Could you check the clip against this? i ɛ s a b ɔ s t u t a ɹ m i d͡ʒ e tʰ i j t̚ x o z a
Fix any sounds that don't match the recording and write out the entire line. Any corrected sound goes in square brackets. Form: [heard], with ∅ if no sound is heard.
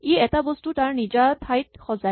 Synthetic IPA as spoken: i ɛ [t] a b ɔ s t u t a ɹ [n] i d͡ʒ [a] tʰ [a] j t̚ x [ɔ] z a

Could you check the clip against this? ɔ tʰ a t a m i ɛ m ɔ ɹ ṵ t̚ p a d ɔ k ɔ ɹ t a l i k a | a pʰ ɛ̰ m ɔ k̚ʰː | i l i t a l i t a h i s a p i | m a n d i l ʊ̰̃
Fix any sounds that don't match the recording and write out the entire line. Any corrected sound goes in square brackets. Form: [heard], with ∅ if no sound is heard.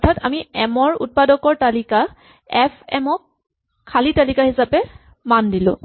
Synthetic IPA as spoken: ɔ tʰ a t a m i ɛ m ɔ ɹ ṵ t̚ p a d ɔ k ɔ ɹ t a l i k a | [ɛ] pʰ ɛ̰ m ɔ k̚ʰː | [a] l i t a l i [k] a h i s a p [ɛ] | m a n d i l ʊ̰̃

